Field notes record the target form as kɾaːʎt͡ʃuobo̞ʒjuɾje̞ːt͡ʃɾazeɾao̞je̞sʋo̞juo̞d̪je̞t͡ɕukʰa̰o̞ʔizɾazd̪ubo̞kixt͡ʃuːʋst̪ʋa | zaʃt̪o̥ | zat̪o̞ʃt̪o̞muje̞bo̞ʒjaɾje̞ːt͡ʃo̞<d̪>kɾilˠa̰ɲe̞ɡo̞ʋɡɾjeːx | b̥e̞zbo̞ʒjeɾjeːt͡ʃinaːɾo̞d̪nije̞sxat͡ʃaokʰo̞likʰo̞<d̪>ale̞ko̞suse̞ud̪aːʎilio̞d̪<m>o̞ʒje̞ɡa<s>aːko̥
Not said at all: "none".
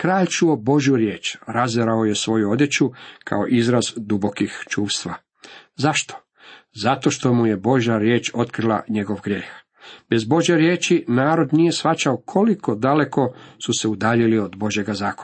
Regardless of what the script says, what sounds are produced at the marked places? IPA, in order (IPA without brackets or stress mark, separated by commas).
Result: t̪, d̪, b, z